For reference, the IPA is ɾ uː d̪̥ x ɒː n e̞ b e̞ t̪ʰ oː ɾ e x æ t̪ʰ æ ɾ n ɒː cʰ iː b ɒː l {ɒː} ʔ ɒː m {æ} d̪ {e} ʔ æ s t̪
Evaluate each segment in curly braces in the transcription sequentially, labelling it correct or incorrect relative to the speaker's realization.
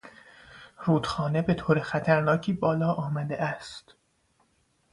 correct, correct, correct

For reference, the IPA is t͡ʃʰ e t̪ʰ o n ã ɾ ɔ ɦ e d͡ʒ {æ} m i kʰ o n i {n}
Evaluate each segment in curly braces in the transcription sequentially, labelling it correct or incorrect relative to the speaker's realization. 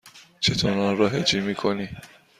incorrect: i, incorrect: none

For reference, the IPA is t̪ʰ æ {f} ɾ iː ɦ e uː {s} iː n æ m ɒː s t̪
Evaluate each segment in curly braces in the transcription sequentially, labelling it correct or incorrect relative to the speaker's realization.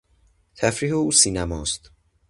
correct, correct

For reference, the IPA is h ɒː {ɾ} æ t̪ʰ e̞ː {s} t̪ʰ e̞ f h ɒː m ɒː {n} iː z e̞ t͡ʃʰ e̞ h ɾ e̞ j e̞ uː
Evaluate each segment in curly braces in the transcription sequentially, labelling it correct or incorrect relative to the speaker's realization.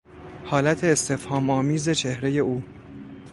incorrect: l, correct, incorrect: m

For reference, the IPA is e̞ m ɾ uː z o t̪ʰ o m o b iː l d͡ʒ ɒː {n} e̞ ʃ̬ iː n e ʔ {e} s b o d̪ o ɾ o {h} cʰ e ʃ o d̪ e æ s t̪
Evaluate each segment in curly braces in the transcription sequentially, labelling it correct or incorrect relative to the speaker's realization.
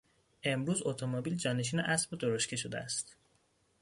correct, incorrect: æ, incorrect: ʃ

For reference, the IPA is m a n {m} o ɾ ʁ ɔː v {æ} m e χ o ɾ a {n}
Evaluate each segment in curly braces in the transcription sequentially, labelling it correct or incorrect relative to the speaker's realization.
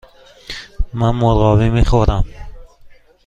correct, incorrect: i, incorrect: m

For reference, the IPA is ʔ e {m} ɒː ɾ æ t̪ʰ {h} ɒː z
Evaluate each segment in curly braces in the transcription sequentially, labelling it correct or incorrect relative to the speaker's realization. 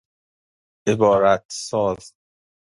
incorrect: b, incorrect: s

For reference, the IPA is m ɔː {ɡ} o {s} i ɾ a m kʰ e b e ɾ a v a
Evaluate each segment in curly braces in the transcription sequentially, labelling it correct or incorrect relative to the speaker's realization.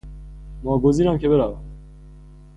correct, incorrect: z

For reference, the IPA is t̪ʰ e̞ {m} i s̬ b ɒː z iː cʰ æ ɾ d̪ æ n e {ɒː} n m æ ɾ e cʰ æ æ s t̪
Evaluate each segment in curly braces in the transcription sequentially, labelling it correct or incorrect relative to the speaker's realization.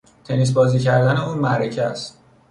incorrect: n, incorrect: uː

